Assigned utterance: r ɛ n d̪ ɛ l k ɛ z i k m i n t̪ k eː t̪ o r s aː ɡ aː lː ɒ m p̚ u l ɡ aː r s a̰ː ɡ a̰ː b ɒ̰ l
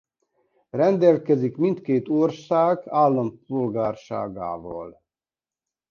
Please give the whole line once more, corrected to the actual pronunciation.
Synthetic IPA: r ɛ n d̪ ɛ l k ɛ z i k m i n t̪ k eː t̪ o r s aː ɡ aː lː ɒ m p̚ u l ɡ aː r ʃ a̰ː ɡ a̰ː v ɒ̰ l